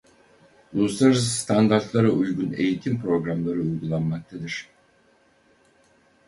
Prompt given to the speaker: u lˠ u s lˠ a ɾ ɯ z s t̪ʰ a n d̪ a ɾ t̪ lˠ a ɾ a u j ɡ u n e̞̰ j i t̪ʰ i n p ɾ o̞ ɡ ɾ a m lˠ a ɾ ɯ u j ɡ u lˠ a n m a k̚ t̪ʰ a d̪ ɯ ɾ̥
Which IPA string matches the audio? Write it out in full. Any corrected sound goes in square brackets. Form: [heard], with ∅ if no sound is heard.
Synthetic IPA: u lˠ u s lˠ a ɾ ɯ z s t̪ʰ a n d̪ a ɾ t̪ lˠ a ɾ a u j ɡ u n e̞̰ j i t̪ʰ i [m] p ɾ o̞ ɡ ɾ a m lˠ a ɾ ɯ u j ɡ u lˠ a n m a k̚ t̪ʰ a d̪ ɯ ɾ̥